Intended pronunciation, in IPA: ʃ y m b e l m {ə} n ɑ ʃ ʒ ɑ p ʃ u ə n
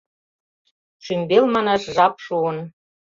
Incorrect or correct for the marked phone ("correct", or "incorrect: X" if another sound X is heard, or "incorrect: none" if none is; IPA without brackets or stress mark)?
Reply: incorrect: ɑ